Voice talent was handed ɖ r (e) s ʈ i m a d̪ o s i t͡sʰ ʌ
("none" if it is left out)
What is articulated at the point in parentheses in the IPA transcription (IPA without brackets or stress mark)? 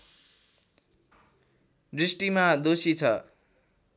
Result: i